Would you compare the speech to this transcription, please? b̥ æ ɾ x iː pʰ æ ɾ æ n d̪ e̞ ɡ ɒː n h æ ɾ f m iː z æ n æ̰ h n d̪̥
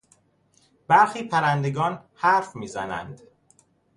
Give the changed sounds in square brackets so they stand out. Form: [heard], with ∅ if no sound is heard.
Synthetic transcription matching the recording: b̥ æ ɾ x iː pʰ æ ɾ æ n d̪ e̞ ɡ ɒː n h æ ɾ f m iː z æ n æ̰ [∅] n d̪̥